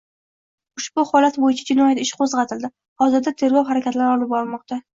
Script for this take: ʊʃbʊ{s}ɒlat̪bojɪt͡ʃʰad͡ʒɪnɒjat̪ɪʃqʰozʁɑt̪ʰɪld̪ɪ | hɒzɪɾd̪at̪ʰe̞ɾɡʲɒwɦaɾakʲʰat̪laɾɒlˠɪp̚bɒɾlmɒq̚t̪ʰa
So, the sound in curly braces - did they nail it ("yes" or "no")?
no